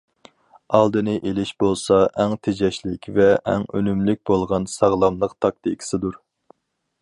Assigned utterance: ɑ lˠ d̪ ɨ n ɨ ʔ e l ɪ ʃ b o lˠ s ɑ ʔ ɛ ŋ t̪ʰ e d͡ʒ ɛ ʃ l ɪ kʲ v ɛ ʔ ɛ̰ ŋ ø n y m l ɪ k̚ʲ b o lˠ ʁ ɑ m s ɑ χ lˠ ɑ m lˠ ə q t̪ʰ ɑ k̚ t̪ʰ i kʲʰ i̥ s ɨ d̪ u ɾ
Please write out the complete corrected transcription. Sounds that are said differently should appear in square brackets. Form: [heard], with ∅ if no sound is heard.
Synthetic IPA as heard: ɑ lˠ d̪ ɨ n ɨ ʔ e l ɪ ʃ b o lˠ s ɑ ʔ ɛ ŋ t̪ʰ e d͡ʒ ɛ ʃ l ɪ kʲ v ɛ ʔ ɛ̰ ŋ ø n y m l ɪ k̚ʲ b o lˠ ʁ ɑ [n] s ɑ [ʁ] lˠ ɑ m lˠ ə q t̪ʰ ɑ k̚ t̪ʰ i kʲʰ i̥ s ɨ d̪ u ɾ